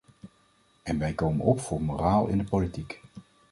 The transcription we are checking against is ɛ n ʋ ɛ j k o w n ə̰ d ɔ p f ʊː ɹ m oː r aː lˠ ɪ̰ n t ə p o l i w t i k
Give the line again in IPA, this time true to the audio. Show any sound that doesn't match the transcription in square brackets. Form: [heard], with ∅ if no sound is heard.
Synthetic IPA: ɛ n ʋ ɛ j k o w [m] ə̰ [n] ɔ p f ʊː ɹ m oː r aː lˠ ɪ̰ n [d] ə p o l i [∅] t i k